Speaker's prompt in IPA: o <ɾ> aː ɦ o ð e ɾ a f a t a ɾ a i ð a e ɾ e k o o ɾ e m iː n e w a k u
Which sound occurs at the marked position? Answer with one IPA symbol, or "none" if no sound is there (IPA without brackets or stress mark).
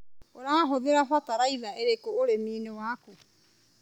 ɾ